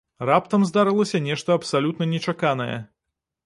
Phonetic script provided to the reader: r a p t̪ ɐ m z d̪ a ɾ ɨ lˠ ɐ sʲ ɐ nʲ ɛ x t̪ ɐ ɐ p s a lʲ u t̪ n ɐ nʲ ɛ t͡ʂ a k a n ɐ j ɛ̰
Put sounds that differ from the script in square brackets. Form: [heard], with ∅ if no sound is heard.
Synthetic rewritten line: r a p t̪ ɐ m z d̪ a ɾ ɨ lˠ ɐ sʲ ɐ nʲ ɛ [ʂ] t̪ ɐ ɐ p s a lʲ u t̪ n ɐ nʲ ɛ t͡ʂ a k a n ɐ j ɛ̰